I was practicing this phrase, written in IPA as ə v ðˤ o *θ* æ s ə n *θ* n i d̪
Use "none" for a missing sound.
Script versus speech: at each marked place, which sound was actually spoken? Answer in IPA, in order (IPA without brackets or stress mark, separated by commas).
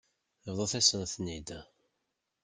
θ, θ